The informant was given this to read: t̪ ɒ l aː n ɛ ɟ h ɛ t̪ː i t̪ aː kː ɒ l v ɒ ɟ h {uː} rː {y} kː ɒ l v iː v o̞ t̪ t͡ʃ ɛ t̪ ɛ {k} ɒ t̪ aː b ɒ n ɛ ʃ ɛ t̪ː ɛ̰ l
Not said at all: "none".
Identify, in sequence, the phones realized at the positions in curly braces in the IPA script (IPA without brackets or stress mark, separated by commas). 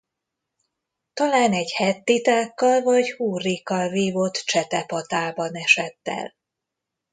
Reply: uː, i, p